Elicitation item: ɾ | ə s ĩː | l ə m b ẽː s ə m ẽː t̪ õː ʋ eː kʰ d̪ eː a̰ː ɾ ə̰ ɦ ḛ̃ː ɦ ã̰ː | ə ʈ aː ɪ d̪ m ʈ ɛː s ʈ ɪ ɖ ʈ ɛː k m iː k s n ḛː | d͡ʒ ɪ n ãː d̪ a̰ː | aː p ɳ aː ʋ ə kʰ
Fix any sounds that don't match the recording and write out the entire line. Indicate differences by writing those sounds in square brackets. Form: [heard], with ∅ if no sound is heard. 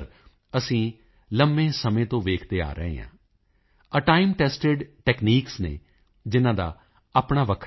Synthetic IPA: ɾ | ə s ĩː | l ə m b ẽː s ə m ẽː t̪ õː ʋ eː kʰ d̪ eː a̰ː ɾ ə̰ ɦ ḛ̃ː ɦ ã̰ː | ə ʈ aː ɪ [∅] m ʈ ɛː s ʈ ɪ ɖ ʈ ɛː k [n] iː k s n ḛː | d͡ʒ ɪ n ãː d̪ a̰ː | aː p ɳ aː ʋ ə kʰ